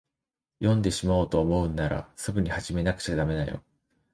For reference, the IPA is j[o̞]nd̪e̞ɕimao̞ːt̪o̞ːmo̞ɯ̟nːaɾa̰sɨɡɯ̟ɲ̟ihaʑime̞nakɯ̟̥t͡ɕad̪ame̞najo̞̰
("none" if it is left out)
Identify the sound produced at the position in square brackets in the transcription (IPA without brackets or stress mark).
õ̞